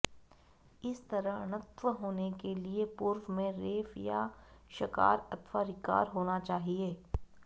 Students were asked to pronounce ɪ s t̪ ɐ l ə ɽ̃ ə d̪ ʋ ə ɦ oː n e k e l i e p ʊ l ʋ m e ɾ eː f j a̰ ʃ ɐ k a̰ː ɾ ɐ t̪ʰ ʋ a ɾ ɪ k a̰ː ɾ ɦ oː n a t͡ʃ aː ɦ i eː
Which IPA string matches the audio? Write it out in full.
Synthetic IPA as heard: ɪ s t̪ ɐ ɾ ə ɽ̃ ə t̪ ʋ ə ɦ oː n e k e l i e p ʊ ɾ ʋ m ẽ ɾ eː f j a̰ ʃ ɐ k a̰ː ɾ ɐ t̪ʰ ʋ a ɾ ɪ k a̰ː ɾ ɦ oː n a t͡ʃ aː ɦ i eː